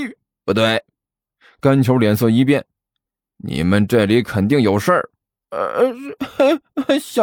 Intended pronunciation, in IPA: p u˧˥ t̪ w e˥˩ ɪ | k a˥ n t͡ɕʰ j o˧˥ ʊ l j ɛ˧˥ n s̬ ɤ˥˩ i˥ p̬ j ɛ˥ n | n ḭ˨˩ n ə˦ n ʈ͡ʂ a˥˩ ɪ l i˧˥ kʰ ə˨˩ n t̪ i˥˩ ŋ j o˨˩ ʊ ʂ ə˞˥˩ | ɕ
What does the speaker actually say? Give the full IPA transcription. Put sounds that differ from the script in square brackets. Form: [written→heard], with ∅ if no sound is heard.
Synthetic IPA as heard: p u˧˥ t̪ w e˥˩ ɪ | k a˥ n t͡ɕʰ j o˧˥ ʊ l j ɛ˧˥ n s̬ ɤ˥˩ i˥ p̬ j [ɛ˥→ɛ˥˩] n | n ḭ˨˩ [n→m] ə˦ n ʈ͡ʂ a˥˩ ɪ l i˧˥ kʰ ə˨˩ n t̪ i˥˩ ŋ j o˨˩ ʊ ʂ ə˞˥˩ | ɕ